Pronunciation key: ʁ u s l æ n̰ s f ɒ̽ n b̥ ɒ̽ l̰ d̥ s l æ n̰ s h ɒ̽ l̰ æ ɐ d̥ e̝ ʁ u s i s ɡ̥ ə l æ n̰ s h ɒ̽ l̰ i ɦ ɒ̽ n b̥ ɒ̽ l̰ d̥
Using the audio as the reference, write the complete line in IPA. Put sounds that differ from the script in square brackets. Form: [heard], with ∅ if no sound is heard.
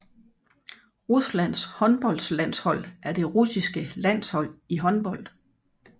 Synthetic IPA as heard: ʁ u s l æ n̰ s [h] ɒ̽ n b̥ ɒ̽ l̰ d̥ s l æ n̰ s h ɒ̽ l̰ æ ɐ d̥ e̝ ʁ u s i s ɡ̥ ə l æ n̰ s h ɒ̽ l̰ i ɦ ɒ̽ n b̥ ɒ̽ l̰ d̥